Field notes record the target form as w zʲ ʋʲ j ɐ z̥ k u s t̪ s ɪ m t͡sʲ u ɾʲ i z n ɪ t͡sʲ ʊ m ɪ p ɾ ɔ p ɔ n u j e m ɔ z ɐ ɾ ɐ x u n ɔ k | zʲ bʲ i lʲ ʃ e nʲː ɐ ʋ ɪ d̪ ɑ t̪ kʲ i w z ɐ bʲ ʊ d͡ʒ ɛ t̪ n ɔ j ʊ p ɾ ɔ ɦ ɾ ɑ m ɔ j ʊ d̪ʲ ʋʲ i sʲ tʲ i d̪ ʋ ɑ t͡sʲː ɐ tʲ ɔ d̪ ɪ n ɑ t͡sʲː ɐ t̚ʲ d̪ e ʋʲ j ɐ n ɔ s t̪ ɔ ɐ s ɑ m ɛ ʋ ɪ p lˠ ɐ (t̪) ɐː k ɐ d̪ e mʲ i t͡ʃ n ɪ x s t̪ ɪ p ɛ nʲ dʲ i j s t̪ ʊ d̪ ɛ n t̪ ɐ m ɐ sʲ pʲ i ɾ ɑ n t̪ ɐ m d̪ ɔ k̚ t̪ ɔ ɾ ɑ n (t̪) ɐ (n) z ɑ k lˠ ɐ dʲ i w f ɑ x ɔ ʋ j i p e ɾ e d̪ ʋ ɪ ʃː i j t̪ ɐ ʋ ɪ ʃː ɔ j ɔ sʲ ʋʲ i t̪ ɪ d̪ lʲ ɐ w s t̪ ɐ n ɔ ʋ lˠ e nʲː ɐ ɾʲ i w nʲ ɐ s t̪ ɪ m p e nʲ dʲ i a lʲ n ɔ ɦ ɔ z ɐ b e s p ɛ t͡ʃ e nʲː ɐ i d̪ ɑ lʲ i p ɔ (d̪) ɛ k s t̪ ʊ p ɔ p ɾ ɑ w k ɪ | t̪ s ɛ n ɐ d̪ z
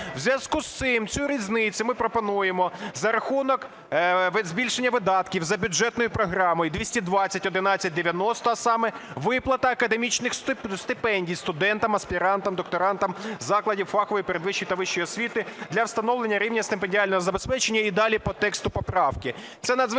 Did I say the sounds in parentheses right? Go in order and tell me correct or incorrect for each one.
correct, correct, incorrect: m, incorrect: t̪

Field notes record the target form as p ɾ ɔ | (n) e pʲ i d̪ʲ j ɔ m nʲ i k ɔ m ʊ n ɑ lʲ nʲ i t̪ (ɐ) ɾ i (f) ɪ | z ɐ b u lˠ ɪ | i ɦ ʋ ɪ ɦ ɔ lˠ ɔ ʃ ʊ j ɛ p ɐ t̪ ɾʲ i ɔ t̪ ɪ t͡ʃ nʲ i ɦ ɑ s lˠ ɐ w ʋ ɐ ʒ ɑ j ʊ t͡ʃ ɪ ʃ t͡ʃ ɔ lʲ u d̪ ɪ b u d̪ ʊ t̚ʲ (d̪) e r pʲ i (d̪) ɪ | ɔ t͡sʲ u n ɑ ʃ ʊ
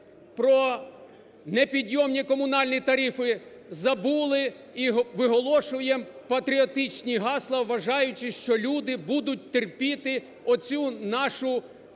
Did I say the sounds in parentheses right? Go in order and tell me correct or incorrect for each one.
correct, correct, correct, incorrect: t̪, incorrect: t̪

